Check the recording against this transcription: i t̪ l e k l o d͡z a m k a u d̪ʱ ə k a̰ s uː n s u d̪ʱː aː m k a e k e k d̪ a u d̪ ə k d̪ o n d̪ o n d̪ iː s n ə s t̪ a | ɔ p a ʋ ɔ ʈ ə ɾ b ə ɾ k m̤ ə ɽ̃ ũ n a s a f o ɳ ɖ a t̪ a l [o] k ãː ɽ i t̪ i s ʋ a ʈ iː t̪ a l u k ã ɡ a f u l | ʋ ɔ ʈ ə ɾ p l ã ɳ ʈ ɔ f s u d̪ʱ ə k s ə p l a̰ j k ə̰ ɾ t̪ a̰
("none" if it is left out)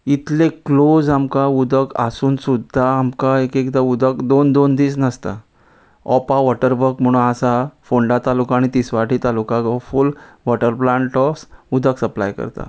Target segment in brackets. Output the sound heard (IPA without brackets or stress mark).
u